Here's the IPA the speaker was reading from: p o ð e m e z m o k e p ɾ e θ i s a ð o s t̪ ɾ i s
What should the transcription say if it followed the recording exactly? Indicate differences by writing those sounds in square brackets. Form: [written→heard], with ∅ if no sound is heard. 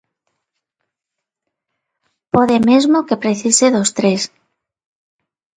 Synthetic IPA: p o ð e m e z m o k e p ɾ e θ i s [a→e] ð o s t̪ ɾ [i→e] s

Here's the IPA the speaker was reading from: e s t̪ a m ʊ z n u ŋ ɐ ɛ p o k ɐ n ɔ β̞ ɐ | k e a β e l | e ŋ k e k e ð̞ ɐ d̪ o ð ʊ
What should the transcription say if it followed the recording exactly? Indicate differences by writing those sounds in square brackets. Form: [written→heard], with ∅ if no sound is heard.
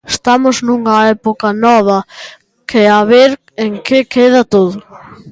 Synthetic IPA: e s t̪ a m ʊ z n u ŋ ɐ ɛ p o k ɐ n ɔ β̞ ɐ | k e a β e [l→ɾ] | e ŋ k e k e ð̞ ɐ [d̪→t̪] o ð ʊ

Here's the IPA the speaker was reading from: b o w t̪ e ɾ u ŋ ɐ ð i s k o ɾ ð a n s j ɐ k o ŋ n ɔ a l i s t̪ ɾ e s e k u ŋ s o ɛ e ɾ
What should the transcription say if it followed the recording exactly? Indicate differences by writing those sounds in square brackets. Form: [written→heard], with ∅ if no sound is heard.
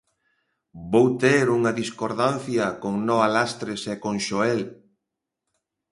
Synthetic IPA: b o w t̪ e ɾ u ŋ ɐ ð i s k o ɾ ð a n [s→θ] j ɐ k o ŋ n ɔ a l [i→a] s t̪ ɾ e s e k [u→o] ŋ [s→ʃ] o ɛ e [ɾ→l]

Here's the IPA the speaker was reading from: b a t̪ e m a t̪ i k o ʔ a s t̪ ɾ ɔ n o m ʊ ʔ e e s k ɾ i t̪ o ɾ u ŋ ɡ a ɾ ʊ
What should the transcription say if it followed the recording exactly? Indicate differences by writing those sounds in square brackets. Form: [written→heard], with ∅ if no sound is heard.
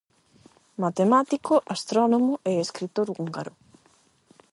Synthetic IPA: [b→m] a t̪ e m a t̪ i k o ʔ a s t̪ ɾ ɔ n o m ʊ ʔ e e s k ɾ i t̪ o ɾ u ŋ ɡ a ɾ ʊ

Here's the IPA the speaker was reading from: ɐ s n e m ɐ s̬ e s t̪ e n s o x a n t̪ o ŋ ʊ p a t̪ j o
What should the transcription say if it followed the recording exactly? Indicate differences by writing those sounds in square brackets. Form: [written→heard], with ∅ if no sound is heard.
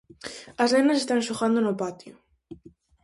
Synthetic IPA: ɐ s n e [m→n] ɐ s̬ e s t̪ [e→a] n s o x a n [t̪→d̪] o [ŋ→n] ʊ p a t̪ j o

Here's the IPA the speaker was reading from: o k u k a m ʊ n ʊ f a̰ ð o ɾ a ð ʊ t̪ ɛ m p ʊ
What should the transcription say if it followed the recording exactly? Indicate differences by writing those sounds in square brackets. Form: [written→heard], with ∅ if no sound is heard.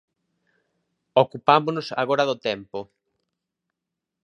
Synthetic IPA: o k u [k→p] a m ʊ n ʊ [f→s] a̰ [ð→ɣ] o ɾ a ð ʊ t̪ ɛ m p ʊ

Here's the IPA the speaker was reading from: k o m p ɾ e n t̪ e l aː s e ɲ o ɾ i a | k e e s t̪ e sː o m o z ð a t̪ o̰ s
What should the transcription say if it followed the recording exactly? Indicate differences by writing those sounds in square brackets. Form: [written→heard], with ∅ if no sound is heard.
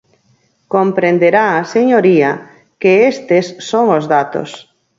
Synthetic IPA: k o m p ɾ e n [t̪→d̪] e [l→ɾ] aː s e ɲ o ɾ i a | k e e s t̪ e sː o [m→ŋ] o z ð a t̪ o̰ s

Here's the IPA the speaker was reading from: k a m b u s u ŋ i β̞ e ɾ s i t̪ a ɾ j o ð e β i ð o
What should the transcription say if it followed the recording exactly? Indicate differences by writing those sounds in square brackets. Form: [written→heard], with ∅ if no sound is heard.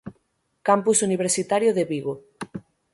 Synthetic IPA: k a m [b→p] u s u [ŋ→n] i β̞ e ɾ s i t̪ a ɾ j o ð e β i [ð→ɣ] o

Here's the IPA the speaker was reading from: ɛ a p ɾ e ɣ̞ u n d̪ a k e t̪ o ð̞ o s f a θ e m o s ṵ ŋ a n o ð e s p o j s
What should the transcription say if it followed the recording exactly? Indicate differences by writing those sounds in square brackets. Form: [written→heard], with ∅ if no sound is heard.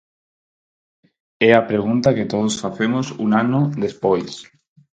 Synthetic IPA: ɛ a p ɾ e ɣ̞ u n [d̪→t̪] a k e t̪ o ð̞ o s f a θ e m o s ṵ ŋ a n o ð e s p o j s

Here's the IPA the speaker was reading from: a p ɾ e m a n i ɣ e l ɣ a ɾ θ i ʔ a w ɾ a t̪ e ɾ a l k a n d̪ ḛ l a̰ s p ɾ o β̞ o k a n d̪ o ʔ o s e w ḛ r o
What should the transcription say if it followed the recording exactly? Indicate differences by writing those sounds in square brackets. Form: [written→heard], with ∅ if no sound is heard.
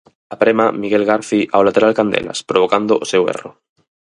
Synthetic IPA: a p ɾ e m a [n→m] i ɣ e l ɣ a ɾ θ i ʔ a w [ɾ→l] a t̪ e ɾ a l k a n d̪ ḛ l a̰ s p ɾ o β̞ o k a n d̪ o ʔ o s e w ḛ r o

